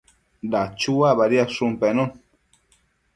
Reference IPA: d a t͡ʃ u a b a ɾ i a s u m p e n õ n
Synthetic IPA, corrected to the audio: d a t͡ʃ u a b a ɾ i a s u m p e n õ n